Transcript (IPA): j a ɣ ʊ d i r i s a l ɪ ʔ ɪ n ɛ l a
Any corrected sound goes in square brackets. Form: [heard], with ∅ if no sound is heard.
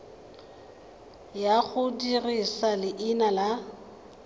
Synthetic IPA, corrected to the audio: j a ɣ ʊ d i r i s a l ɪ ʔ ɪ n [a] l a